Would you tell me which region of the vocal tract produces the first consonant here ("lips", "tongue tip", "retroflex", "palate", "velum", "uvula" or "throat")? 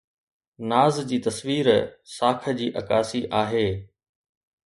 tongue tip